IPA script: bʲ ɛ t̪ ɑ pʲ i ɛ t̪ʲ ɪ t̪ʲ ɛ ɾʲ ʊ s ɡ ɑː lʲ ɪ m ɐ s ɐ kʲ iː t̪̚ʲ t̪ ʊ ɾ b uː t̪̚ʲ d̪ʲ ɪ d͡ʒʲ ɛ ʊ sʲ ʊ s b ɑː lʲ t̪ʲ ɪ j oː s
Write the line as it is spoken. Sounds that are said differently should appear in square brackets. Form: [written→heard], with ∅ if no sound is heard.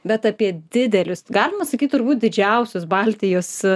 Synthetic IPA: bʲ ɛ t̪ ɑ pʲ i ɛ [t̪ʲ→d̪ʲ] ɪ [t̪ʲ→d̪ʲ] ɛ [ɾʲ→lʲ] ʊ s ɡ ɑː lʲ ɪ m ɐ s ɐ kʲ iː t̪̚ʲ t̪ ʊ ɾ b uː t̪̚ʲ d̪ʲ ɪ d͡ʒʲ ɛ ʊ sʲ ʊ s b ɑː lʲ t̪ʲ ɪ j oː s